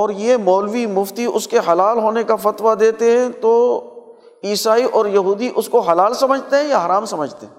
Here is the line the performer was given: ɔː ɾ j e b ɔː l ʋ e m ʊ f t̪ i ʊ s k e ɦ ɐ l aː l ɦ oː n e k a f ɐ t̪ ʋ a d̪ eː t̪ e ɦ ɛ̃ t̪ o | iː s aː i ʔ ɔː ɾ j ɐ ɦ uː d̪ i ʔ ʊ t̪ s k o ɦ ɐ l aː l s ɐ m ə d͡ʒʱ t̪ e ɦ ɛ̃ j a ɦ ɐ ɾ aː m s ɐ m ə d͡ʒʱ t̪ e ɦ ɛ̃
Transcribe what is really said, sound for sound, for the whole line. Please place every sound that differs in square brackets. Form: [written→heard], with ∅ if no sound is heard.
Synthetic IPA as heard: ɔː ɾ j e [b→m] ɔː l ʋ [e→i] m ʊ f t̪ i ʊ s k e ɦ ɐ l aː l ɦ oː n e k a f ɐ t̪ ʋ a d̪ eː t̪ e ɦ ɛ̃ t̪ o | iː s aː i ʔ ɔː ɾ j ɐ ɦ uː d̪ i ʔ ʊ [t̪→∅] s k o ɦ ɐ l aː l s ɐ m ə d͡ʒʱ t̪ e ɦ ɛ̃ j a ɦ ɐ ɾ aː m s ɐ m ə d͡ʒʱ t̪ e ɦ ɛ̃